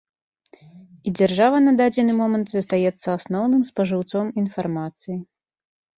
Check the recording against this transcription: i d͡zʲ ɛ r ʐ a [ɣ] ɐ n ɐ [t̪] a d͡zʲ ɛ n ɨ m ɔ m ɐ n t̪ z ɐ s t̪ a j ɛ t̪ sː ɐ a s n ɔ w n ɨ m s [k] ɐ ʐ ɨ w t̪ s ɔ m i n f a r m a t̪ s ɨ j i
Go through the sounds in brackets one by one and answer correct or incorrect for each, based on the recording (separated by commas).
incorrect, incorrect, incorrect